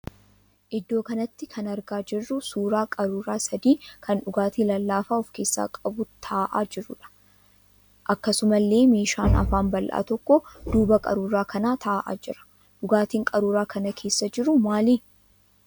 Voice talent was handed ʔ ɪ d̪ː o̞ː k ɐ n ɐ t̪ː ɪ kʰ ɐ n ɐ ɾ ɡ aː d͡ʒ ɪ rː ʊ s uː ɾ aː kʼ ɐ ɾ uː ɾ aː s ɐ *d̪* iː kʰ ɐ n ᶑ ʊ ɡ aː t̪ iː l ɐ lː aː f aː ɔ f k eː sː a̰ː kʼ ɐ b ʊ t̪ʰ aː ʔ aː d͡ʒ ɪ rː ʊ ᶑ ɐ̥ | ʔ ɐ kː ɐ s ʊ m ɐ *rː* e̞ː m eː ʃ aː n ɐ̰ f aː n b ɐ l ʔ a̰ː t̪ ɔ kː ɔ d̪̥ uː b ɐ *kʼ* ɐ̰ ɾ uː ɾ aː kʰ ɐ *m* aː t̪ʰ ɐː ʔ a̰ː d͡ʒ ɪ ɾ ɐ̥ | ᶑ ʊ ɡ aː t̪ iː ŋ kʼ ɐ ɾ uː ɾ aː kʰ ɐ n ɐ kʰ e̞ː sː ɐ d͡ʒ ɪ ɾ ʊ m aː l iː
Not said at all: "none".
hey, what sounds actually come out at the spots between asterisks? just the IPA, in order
d̪, lː, kʼ, n

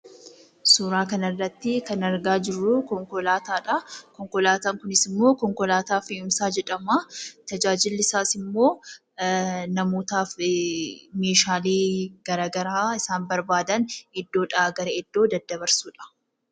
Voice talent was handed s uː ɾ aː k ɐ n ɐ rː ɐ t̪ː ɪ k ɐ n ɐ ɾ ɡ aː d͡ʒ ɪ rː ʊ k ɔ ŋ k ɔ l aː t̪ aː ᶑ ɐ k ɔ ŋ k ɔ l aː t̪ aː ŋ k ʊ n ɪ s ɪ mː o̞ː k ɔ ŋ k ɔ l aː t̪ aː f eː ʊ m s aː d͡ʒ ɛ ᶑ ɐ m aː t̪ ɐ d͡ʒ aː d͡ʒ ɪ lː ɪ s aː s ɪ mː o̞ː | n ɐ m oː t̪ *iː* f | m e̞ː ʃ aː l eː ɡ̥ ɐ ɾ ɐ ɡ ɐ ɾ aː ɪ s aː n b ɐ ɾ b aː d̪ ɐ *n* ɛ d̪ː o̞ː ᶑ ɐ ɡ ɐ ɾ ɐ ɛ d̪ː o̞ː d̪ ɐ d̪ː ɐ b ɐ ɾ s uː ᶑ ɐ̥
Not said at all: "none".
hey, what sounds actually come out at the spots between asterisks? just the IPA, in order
aː, n

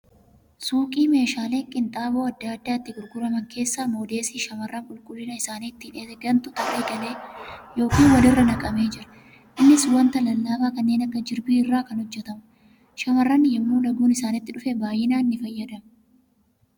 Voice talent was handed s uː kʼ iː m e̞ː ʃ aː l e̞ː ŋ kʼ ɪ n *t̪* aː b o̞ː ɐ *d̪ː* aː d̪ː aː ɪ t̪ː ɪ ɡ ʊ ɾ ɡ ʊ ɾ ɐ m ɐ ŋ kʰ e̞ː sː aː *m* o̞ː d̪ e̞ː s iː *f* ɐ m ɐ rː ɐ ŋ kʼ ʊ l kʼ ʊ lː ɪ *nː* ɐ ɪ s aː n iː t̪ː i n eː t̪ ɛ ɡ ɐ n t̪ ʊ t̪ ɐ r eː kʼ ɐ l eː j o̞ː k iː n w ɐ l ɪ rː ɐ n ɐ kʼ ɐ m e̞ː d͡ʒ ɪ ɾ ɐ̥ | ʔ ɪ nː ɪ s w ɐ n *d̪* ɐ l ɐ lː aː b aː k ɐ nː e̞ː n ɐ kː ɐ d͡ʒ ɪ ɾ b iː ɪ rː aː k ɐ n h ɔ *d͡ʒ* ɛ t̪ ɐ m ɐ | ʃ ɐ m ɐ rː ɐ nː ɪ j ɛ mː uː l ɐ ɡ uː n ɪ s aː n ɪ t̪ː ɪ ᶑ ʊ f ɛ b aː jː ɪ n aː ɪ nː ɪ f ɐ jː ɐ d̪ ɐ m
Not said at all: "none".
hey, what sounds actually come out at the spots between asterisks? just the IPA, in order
t̪ʼ, d̪ː, m, ʃ, n, t̪, d͡ʒː

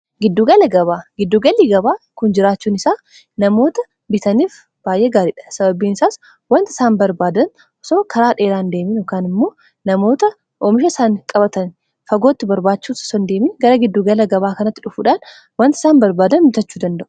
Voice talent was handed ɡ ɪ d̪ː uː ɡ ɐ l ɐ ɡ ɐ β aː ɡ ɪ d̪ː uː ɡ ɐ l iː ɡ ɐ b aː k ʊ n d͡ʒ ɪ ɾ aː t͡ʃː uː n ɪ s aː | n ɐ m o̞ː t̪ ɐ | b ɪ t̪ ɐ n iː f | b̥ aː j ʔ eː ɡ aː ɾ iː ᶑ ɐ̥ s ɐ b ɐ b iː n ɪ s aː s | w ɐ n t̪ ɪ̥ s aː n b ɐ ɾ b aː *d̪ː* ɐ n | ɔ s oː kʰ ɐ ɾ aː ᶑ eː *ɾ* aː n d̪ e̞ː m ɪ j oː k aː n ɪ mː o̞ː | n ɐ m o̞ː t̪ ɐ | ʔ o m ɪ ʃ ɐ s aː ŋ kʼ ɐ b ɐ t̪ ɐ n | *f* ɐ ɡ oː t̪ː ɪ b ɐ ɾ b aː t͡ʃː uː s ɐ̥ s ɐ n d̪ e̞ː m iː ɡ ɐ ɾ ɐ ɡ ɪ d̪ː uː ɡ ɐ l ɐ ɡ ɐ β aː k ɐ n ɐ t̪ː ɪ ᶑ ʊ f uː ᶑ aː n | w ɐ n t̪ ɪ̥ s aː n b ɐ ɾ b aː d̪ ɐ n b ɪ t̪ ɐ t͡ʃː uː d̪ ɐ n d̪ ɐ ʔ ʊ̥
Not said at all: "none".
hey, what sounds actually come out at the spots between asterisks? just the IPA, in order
d̪, ɾ, f

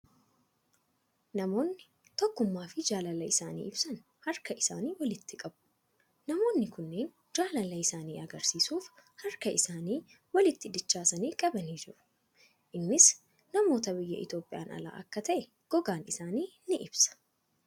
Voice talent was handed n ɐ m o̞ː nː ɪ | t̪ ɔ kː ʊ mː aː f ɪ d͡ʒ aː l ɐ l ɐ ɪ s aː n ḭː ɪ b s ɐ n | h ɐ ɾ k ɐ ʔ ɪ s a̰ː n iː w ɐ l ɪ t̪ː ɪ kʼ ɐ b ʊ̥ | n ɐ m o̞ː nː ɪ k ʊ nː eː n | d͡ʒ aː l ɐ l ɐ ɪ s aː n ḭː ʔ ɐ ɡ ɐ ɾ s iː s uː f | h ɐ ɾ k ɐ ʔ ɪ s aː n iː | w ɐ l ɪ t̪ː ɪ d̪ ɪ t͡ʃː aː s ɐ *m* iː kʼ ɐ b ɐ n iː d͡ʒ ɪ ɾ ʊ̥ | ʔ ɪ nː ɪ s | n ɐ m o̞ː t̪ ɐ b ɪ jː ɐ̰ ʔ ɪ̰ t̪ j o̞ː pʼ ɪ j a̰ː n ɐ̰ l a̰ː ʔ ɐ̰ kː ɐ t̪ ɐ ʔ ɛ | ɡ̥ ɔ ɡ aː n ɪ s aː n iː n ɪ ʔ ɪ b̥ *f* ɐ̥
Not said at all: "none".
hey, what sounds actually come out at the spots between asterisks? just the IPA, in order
n, s

